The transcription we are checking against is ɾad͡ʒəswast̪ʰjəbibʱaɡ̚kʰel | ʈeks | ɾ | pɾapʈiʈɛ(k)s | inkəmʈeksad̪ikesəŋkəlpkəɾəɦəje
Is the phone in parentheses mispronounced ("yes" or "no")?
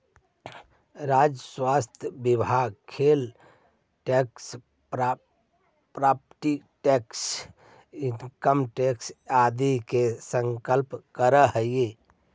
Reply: no